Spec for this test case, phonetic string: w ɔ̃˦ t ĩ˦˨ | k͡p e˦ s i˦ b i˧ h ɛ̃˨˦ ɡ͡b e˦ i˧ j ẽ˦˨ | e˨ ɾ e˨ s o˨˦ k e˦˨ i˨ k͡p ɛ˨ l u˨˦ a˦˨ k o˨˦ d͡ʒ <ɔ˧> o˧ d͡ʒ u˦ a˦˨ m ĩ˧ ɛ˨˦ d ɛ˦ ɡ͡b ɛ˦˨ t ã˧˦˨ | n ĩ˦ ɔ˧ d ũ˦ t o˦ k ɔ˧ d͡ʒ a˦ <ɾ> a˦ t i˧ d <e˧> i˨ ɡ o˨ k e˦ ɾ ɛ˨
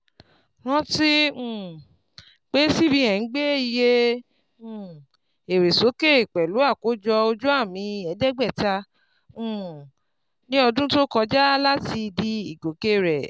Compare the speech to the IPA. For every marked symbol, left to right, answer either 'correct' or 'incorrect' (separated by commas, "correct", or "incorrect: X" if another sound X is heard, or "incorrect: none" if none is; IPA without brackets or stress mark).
correct, incorrect: l, incorrect: i˧